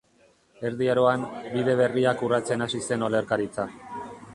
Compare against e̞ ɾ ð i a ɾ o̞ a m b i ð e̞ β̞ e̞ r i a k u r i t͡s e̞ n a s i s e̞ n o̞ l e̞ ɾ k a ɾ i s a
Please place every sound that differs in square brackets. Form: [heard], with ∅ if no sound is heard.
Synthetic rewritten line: e̞ ɾ ð i a ɾ o̞ a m b i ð e̞ β̞ e̞ r i a k u r [a] t͡s e̞ n a s i s e̞ n o̞ l e̞ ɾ k a ɾ i [t͡s] a